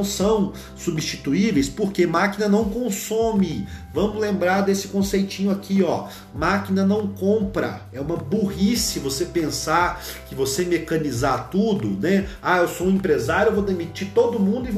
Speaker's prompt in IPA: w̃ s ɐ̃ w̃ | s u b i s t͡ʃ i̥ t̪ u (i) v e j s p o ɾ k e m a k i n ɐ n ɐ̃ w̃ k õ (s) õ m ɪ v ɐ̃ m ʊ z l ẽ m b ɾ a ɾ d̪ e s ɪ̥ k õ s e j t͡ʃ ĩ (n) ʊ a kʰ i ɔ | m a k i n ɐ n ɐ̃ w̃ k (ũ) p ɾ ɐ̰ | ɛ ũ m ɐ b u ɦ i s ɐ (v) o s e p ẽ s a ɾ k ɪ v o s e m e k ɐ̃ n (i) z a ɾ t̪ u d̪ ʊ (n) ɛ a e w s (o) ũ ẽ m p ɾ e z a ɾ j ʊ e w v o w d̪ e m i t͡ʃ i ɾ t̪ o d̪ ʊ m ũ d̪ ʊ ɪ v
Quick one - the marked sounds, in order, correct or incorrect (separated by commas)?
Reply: correct, correct, incorrect, incorrect, correct, correct, correct, correct